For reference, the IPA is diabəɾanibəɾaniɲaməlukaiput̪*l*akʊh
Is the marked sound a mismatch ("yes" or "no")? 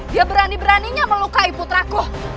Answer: yes